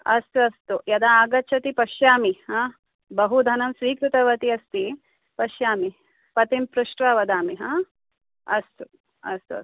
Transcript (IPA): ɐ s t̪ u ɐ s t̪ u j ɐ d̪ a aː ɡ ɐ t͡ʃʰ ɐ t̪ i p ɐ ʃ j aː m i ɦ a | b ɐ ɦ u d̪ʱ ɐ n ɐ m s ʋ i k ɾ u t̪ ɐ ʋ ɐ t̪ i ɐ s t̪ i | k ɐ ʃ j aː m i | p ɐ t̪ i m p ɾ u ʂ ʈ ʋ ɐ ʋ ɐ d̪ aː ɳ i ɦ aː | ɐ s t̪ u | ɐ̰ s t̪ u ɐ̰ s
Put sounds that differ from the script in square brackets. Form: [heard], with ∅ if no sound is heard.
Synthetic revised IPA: ɐ s t̪ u ɐ s t̪ u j ɐ d̪ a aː ɡ ɐ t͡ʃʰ ɐ t̪ i p ɐ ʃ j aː m i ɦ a | b ɐ ɦ u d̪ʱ ɐ n ɐ m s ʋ [iː] k ɾ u t̪ ɐ ʋ ɐ t̪ i ɐ s t̪ i | [p] ɐ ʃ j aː m i | p ɐ t̪ i m p ɾ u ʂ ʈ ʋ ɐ ʋ ɐ d̪ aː [m] i ɦ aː | ɐ s t̪ u | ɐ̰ s t̪ u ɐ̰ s